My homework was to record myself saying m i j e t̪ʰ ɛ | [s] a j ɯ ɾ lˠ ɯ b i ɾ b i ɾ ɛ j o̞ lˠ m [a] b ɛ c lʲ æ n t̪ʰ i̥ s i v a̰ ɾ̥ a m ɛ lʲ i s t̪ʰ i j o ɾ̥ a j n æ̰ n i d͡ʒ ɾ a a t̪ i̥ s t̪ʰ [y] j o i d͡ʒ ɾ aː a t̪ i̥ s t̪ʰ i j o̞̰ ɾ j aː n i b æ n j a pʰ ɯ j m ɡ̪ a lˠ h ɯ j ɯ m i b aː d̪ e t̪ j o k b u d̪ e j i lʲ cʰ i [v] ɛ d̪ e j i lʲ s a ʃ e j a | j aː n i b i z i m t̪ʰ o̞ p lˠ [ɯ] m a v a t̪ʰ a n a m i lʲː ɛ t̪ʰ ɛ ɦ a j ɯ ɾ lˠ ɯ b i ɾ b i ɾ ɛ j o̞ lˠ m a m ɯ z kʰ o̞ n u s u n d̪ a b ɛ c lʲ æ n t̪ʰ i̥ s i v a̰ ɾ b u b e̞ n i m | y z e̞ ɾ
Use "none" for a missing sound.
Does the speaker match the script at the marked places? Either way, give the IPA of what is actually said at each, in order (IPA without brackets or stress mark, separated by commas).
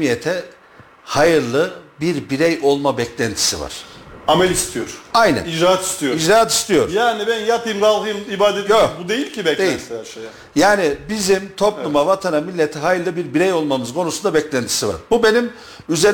h, a, i, b, u